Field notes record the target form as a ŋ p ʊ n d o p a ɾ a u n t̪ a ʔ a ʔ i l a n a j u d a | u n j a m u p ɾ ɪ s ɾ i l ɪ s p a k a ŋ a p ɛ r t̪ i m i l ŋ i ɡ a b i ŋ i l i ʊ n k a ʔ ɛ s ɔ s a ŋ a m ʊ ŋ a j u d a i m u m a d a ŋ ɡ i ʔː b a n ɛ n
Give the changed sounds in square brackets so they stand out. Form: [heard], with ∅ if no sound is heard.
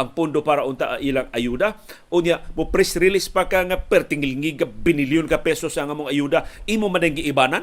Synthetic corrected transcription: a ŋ p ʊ n d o p a ɾ a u n t̪ a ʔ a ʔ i l a [ŋ] a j u d a | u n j a m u p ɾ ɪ s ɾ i l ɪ s p a k a ŋ a p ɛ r t̪ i [ŋ] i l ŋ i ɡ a b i [n] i l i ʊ n k a [p] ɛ s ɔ s a ŋ a m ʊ ŋ a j u d a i m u m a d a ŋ ɡ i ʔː b a n [a] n